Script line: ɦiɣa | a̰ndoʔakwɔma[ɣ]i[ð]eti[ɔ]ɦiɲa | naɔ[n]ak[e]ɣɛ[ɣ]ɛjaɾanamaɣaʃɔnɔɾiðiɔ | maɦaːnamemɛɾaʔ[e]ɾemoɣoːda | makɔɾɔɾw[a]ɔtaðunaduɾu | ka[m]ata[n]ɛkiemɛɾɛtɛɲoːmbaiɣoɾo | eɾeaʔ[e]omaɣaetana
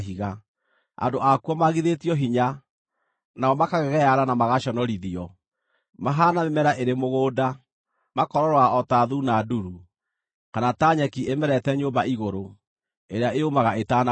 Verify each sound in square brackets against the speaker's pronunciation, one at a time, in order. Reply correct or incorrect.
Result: correct, correct, correct, incorrect, incorrect, correct, correct, correct, incorrect, incorrect, correct

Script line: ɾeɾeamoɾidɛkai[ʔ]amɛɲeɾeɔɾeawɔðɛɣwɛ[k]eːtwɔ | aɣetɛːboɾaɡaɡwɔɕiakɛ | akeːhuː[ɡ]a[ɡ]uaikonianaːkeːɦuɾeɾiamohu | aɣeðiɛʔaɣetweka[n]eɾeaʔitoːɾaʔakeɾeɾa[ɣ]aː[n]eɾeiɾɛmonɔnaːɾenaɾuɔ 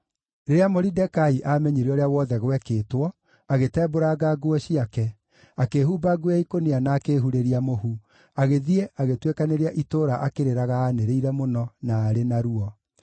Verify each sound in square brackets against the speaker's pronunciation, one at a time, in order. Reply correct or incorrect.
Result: correct, correct, incorrect, correct, correct, correct, correct

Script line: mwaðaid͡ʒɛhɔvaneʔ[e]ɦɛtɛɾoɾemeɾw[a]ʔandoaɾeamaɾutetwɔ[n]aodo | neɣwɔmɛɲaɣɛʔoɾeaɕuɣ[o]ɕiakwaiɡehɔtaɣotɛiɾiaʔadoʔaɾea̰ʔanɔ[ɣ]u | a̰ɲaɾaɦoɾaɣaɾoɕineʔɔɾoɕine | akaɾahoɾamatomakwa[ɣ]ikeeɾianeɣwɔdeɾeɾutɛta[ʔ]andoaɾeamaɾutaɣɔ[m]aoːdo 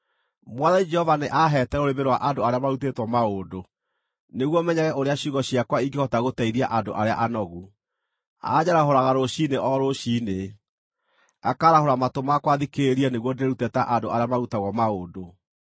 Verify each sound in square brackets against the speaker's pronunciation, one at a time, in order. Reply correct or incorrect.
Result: incorrect, correct, incorrect, incorrect, correct, incorrect, correct, correct

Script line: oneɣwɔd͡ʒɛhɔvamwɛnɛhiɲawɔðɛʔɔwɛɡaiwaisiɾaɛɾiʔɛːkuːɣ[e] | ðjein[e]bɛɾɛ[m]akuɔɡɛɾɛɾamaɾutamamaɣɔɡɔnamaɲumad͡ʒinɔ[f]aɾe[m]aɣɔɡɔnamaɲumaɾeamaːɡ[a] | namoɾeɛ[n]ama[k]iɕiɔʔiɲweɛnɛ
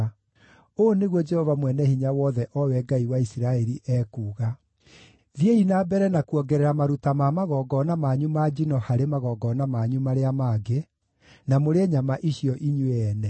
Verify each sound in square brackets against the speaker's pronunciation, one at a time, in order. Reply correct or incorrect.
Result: incorrect, incorrect, incorrect, incorrect, correct, incorrect, incorrect, incorrect

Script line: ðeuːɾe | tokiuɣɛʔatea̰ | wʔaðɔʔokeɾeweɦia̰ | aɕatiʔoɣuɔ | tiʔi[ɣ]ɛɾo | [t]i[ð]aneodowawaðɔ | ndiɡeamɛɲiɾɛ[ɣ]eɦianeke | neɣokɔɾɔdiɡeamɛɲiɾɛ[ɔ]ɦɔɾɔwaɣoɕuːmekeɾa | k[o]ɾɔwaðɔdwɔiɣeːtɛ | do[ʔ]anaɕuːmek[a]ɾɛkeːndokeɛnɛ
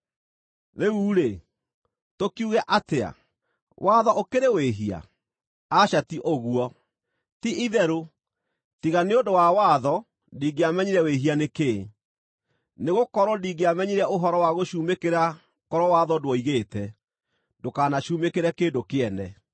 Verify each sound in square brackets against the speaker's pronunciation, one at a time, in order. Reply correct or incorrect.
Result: incorrect, correct, incorrect, incorrect, incorrect, incorrect, incorrect, incorrect

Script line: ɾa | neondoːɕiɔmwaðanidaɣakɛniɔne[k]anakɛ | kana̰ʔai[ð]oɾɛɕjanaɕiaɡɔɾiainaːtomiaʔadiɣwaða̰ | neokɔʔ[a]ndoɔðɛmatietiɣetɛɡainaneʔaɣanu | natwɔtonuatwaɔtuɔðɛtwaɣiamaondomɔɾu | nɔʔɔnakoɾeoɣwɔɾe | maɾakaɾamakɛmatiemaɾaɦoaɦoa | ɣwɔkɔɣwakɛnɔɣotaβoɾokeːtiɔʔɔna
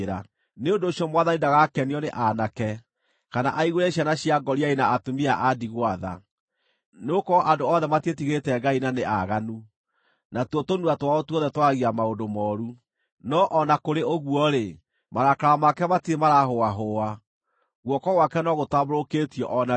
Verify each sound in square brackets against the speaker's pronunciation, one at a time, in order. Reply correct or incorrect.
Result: incorrect, incorrect, correct

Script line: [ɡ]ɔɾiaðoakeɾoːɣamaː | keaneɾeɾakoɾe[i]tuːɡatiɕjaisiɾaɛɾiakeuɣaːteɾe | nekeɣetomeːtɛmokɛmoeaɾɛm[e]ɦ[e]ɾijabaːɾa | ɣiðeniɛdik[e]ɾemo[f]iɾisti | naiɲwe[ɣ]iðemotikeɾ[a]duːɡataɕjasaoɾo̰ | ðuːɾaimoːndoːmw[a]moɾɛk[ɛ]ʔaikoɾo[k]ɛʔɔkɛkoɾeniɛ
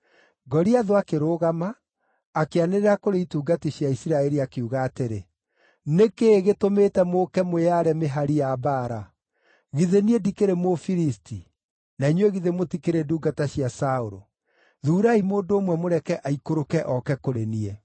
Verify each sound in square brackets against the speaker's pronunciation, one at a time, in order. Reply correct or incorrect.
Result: correct, correct, correct, incorrect, correct, correct, correct, incorrect, incorrect, correct, correct

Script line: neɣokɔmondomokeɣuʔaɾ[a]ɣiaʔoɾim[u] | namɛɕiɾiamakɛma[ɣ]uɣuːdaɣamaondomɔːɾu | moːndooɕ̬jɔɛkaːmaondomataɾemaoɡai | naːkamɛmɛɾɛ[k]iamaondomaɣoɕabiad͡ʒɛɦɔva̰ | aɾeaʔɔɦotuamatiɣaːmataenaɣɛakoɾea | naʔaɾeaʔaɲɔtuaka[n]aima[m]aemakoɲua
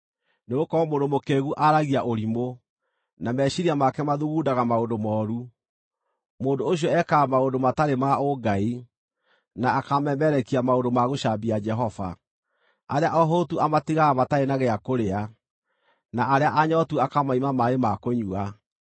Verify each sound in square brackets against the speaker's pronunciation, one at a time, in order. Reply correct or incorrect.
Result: correct, incorrect, incorrect, correct, incorrect, correct

